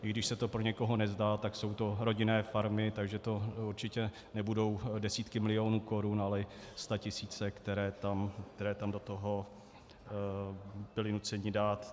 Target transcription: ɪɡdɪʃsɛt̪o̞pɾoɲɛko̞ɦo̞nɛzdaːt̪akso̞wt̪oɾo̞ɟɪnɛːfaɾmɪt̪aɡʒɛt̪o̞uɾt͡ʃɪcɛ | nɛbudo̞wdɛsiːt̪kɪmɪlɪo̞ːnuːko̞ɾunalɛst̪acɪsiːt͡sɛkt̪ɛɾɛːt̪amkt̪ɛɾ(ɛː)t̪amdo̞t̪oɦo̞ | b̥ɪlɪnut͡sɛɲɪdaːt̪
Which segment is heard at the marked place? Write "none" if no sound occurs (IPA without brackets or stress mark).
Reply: ɛː